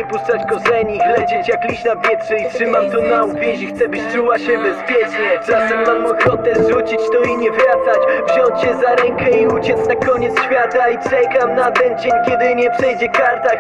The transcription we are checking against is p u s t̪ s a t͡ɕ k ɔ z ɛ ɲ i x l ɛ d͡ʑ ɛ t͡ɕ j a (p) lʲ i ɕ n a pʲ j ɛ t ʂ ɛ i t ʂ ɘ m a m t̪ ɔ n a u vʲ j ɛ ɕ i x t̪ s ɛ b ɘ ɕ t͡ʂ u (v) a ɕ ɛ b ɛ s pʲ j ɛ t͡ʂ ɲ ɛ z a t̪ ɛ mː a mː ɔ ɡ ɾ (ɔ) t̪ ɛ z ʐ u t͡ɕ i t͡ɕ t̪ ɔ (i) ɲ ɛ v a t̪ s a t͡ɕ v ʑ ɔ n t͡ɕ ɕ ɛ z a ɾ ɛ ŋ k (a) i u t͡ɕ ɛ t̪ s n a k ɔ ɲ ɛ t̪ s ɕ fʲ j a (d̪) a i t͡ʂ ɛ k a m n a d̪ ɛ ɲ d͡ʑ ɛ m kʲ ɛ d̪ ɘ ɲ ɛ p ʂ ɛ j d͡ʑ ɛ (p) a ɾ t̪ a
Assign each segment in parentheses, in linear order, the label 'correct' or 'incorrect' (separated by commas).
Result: incorrect, incorrect, correct, correct, incorrect, incorrect, incorrect